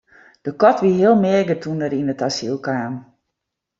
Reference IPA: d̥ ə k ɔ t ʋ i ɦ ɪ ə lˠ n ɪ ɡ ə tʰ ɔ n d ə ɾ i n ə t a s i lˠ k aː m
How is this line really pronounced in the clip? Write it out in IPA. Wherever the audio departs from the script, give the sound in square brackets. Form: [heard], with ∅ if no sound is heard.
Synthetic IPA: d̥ ə k ɔ t ʋ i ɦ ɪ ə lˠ [m] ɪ ɡ ə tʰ [u] n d ə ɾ i n ə t a s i lˠ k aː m